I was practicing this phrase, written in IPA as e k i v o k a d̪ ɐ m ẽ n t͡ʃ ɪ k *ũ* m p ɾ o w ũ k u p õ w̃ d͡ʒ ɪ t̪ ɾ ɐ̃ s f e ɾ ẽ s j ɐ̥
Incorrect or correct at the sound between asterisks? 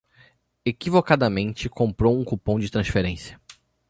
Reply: incorrect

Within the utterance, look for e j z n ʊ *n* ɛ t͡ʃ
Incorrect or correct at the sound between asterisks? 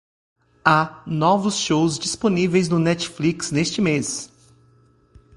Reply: correct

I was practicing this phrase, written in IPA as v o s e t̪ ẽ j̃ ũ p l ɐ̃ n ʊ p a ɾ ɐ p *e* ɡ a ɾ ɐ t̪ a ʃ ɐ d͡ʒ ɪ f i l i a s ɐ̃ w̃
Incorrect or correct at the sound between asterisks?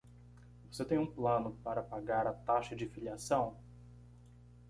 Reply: incorrect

